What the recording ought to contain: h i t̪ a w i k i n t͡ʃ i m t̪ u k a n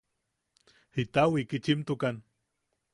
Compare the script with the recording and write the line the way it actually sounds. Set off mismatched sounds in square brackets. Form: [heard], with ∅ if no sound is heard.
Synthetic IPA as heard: h i t̪ a w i k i [∅] t͡ʃ i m t̪ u k a n